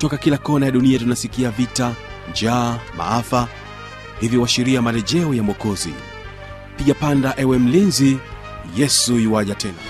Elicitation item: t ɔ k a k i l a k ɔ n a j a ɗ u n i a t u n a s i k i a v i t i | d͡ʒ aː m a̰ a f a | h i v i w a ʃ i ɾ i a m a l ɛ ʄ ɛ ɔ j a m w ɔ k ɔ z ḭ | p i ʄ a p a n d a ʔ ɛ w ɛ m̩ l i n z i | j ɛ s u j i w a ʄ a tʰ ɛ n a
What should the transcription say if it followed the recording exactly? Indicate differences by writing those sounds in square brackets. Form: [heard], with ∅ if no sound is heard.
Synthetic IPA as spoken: t ɔ k a k i l a k ɔ n a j a ɗ u n i a t u n a s i k i a v i t [a] | d͡ʒ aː m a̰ a f a | h i v i w a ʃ i ɾ i a m a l ɛ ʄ ɛ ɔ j a m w ɔ k ɔ z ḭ | p i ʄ a p a n d a ʔ ɛ w ɛ m̩ l i n z i | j ɛ s u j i w a ʄ a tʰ ɛ n a